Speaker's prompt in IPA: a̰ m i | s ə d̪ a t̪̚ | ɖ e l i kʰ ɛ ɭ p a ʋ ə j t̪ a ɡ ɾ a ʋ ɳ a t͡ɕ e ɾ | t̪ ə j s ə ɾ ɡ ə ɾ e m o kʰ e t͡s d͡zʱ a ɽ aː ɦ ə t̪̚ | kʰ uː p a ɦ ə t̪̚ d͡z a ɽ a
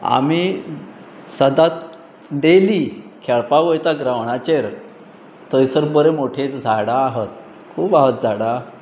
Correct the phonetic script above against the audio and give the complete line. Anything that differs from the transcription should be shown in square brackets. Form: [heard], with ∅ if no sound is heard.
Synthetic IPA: a̰ m i | s ə d̪ a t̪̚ | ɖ e l i kʰ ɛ ɭ p a ʋ ə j t̪ a ɡ ɾ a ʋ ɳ a t͡ɕ e ɾ | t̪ ə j s ə ɾ [b] ə ɾ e m o [ʈʰ] e t͡s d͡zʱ a ɽ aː ɦ ə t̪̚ | kʰ uː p a ɦ ə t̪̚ d͡z a ɽ a